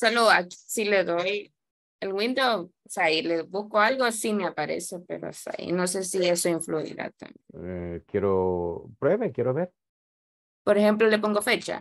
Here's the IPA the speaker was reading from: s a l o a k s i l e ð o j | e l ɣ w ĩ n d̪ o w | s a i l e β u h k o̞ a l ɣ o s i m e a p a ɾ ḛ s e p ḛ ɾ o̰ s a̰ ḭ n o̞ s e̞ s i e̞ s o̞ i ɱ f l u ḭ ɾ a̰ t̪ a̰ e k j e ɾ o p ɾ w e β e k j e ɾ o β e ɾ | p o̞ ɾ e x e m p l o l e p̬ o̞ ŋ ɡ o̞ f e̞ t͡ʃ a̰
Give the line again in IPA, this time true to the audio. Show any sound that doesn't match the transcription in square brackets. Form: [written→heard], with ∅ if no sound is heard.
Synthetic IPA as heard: s a l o a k s i l e ð o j | e l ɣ w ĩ n d̪ o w | s a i l e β u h k o̞ a l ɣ o s i m e a p a ɾ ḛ s e p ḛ ɾ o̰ s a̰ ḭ n o̞ s e̞ s i e̞ s o̞ i ɱ f l u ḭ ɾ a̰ t̪ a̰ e k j e ɾ o p ɾ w e β e k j e ɾ o β e ɾ | p o̞ ɾ e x e m p l o l e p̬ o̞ ŋ ɡ o̞ f e̞ t͡ʃ a̰